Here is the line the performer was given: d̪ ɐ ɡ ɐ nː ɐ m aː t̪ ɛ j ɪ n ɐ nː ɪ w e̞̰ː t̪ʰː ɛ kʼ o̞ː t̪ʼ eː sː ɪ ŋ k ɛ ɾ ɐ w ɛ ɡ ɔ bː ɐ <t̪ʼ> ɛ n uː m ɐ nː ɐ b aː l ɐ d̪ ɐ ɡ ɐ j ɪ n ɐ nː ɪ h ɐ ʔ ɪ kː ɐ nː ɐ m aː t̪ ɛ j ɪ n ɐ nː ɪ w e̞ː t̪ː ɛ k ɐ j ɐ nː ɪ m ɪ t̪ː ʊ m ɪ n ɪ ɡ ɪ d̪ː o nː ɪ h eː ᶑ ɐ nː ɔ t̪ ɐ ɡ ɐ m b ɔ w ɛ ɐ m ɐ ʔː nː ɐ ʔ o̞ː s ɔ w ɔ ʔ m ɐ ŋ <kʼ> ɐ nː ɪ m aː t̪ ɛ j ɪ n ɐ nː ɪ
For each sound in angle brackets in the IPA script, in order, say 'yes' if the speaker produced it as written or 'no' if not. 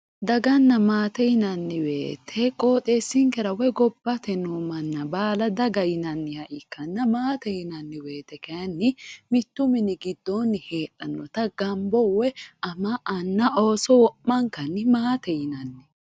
no, no

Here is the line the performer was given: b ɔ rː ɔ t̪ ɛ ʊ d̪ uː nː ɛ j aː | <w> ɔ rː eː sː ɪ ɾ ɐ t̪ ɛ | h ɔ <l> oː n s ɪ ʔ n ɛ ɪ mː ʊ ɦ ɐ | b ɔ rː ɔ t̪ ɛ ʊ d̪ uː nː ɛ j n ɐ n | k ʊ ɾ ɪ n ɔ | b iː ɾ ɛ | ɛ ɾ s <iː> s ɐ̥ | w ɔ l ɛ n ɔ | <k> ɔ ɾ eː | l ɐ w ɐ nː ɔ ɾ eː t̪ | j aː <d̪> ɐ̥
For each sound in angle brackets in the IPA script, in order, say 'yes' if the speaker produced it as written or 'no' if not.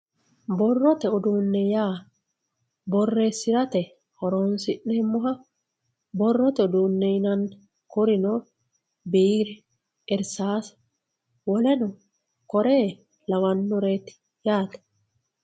no, no, no, yes, no

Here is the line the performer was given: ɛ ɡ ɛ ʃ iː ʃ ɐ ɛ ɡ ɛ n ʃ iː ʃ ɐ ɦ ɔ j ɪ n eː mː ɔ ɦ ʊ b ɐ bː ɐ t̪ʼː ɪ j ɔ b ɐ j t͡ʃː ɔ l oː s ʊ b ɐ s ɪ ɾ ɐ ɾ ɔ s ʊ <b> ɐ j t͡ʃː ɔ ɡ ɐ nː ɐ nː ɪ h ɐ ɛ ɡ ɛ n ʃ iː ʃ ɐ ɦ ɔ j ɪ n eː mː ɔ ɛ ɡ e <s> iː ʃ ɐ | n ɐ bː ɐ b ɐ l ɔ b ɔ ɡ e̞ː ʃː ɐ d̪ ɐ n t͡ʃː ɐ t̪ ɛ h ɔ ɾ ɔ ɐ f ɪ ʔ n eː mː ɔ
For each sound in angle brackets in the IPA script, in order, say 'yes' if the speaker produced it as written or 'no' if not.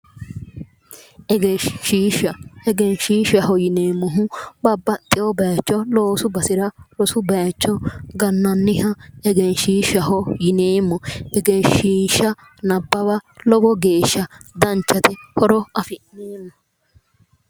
yes, no

